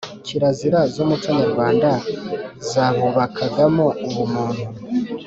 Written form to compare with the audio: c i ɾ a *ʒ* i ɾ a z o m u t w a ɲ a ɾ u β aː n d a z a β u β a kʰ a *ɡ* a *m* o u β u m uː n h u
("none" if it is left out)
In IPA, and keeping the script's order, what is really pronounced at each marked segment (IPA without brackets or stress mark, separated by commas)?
z, ɡ, m